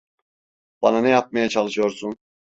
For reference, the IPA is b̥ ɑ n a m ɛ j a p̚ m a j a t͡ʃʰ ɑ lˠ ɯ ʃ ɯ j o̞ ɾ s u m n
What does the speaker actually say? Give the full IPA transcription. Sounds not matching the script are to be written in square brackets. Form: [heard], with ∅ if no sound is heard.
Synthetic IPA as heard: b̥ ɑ n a [n] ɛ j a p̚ m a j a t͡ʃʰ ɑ lˠ ɯ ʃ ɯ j o̞ ɾ s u [∅] n